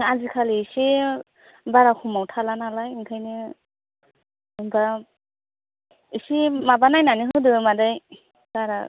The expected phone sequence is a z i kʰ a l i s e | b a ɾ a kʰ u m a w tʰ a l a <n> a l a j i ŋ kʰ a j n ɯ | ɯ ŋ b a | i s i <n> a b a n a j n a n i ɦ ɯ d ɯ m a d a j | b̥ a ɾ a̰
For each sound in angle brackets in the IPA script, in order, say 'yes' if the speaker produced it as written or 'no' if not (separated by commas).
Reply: yes, no